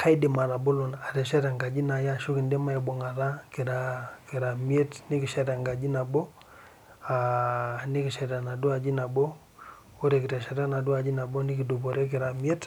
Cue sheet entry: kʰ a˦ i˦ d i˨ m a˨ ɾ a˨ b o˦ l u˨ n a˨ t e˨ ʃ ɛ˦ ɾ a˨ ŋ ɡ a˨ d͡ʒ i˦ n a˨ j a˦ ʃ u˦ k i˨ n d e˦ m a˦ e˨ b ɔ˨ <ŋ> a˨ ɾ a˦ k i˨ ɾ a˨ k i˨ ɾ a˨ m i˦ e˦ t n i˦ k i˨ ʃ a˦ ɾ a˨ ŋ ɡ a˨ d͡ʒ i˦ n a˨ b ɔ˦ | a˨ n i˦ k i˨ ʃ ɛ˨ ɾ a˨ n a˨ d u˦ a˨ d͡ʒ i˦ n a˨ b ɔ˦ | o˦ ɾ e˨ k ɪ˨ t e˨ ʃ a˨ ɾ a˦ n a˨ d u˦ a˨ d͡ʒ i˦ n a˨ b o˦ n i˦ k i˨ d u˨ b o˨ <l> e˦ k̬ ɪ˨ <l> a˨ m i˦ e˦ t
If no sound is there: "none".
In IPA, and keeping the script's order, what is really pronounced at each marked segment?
ŋ, ɾ, ɾ

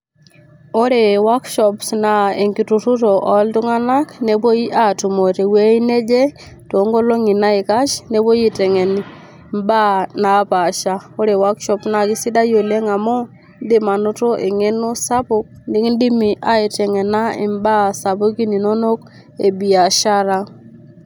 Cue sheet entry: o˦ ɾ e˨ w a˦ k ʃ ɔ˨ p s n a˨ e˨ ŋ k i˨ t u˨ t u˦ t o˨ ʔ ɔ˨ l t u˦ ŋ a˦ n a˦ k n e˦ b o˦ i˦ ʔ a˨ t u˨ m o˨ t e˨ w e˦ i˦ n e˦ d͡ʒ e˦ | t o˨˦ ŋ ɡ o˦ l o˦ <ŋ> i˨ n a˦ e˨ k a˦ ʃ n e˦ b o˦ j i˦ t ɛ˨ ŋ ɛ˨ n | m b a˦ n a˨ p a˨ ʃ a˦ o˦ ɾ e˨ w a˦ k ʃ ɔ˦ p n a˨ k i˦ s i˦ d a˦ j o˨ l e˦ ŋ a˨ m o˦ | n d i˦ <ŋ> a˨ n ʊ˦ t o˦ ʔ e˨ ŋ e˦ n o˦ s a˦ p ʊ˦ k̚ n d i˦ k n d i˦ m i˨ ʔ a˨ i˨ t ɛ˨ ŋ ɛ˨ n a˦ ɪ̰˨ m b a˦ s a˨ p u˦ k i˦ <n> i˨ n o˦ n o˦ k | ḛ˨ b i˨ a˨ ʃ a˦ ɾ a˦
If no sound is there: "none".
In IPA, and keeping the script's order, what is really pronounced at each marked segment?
ŋ, m, n

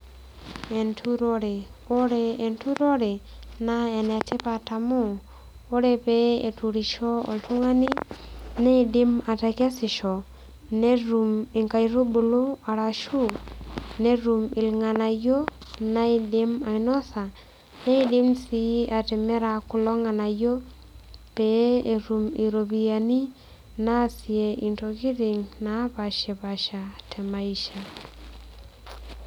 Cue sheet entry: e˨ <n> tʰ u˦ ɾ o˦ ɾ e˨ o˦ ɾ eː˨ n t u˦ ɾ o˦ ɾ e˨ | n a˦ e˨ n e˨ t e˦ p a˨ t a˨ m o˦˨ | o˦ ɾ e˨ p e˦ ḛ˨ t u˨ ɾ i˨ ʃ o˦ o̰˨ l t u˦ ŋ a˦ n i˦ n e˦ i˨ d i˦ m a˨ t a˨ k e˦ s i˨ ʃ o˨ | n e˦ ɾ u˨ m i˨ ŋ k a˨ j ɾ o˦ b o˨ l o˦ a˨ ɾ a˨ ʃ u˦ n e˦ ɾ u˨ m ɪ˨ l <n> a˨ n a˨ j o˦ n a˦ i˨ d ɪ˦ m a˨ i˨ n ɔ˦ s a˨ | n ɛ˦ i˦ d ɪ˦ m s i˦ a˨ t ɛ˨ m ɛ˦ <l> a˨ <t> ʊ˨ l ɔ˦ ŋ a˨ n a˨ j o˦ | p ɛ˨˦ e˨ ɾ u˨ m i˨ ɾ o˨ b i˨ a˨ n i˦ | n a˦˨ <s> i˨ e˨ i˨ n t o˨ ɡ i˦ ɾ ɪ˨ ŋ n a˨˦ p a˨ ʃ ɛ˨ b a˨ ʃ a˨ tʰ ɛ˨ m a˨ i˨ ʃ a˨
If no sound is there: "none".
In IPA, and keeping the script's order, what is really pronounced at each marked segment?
n, ŋ, ɾ, k, s

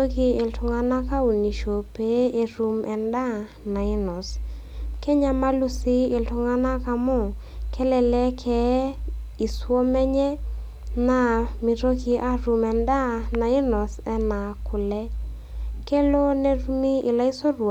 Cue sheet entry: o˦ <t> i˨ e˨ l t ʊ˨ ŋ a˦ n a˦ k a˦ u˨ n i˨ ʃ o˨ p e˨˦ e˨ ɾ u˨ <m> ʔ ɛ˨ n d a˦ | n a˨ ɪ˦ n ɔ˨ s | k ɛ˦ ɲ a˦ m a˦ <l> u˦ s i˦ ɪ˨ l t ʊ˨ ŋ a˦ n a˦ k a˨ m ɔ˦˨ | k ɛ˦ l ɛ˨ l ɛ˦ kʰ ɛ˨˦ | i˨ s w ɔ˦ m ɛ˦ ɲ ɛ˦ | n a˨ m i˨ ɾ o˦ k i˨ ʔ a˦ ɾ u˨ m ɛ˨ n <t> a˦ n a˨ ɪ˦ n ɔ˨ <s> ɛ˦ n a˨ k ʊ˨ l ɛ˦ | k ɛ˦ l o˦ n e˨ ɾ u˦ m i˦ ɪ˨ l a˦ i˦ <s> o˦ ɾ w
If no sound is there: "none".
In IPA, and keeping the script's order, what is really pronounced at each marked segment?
k, m, l, d, s, s

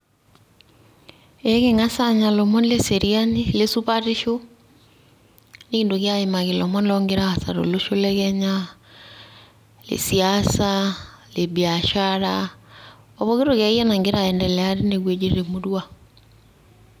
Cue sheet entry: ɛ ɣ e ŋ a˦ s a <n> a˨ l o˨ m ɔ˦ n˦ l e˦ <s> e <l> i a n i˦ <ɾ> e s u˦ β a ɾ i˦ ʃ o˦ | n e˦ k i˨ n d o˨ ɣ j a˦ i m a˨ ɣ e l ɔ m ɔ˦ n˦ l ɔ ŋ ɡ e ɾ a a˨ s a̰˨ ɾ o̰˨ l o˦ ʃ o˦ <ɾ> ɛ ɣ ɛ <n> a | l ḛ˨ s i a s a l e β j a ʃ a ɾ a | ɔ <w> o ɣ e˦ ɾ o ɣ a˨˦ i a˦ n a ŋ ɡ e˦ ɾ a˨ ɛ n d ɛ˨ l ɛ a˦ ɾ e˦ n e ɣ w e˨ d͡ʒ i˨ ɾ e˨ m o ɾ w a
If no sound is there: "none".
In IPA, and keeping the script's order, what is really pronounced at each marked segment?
ɲ, s, ɾ, l, l, ɲ, β

